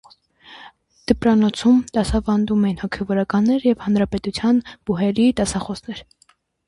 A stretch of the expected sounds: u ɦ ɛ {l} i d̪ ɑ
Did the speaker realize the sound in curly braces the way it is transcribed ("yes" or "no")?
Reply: no